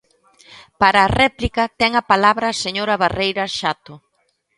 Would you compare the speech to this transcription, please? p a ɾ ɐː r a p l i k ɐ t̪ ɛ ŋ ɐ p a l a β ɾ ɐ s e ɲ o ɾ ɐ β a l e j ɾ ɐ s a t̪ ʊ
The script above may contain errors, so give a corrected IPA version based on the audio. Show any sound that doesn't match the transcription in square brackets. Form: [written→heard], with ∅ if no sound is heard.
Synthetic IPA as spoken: p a ɾ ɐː r [a→ɛ] p l i k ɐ t̪ ɛ ŋ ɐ p a l a β ɾ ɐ s e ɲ o ɾ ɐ β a [l→r] e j ɾ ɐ [s→ʃ] a t̪ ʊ